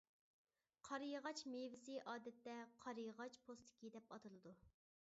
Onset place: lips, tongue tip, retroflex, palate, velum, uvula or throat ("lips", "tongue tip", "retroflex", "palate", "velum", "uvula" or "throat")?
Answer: uvula